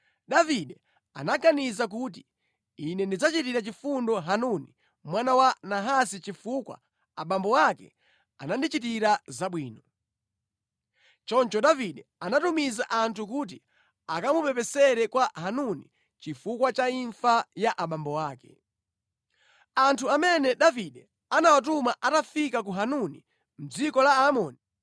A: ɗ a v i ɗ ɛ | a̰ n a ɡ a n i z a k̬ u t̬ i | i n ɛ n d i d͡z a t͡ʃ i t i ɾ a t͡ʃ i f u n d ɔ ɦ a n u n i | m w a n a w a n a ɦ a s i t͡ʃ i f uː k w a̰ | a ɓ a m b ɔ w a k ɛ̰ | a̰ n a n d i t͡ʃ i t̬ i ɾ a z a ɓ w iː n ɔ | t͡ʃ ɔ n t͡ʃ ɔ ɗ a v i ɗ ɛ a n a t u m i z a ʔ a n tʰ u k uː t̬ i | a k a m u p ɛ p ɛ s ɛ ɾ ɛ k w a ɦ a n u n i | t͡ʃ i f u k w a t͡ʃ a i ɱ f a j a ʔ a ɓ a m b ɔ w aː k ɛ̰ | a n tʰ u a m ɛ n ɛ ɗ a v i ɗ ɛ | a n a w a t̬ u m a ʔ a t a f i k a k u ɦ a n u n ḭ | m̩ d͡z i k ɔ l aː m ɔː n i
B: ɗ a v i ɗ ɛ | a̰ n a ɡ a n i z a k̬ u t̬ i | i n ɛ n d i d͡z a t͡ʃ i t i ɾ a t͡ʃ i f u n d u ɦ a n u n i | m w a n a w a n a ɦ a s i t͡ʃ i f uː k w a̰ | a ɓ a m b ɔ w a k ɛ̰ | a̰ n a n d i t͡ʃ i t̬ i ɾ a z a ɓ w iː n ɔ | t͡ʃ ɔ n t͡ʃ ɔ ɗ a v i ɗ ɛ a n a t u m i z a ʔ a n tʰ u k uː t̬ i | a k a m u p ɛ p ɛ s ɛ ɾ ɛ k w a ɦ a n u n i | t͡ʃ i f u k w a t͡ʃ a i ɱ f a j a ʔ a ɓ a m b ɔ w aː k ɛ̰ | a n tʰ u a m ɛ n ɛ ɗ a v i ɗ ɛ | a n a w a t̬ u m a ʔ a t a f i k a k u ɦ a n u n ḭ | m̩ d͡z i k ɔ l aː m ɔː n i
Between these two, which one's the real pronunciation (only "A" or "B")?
A